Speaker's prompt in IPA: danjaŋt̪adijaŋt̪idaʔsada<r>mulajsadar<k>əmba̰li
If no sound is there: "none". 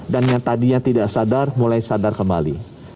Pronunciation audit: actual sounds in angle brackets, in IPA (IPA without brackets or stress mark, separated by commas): r, k